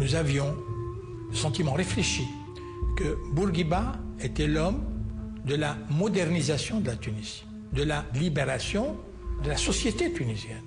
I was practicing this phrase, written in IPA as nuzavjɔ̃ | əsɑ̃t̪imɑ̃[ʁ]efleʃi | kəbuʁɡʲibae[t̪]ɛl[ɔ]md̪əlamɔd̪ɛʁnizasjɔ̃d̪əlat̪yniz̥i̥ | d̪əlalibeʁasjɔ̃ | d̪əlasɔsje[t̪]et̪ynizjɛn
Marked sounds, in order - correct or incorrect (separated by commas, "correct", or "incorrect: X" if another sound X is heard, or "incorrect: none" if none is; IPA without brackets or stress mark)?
correct, correct, correct, correct